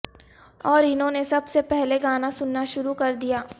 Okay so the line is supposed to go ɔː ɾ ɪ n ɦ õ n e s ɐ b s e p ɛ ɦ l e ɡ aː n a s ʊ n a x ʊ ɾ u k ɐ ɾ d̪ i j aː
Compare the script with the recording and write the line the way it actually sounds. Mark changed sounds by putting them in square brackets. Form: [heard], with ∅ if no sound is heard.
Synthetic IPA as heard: ɔː ɾ ɪ n ɦ õ n e s ɐ b s e p ɛ ɦ l e ɡ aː n a s ʊ [nː] a [ʃ] ʊ ɾ u k ɐ ɾ d̪ i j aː